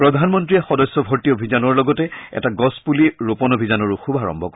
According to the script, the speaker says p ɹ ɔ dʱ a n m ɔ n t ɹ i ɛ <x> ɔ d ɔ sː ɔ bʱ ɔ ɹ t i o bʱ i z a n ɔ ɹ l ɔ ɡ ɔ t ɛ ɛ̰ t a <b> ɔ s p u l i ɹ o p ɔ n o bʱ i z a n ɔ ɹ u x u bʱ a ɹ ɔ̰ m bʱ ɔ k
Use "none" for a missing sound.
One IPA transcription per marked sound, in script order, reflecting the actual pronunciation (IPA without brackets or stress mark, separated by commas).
x, ɡ